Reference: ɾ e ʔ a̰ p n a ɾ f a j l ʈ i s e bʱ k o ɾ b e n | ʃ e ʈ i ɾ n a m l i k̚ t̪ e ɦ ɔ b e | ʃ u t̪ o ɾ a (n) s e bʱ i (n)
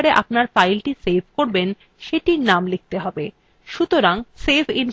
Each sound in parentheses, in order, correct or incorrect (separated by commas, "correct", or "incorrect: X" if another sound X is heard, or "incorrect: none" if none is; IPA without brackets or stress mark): incorrect: ŋ, correct